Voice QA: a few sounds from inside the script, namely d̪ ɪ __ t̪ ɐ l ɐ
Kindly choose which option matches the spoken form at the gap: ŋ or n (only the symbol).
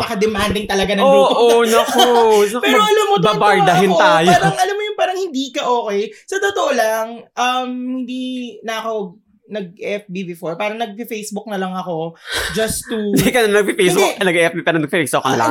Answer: ŋ